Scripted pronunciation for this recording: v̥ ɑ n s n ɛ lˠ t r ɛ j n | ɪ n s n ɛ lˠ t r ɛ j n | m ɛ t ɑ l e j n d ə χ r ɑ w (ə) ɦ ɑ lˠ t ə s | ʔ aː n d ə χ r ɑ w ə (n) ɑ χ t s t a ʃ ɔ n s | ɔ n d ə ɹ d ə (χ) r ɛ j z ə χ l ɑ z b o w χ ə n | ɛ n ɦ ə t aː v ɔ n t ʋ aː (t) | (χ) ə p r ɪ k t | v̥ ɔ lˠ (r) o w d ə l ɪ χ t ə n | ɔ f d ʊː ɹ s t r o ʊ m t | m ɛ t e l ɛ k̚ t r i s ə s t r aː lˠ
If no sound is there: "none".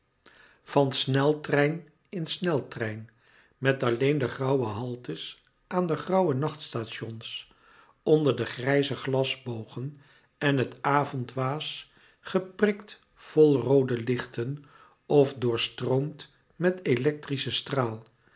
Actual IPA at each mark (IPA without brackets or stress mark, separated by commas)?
ə, n, χ, s, χ, r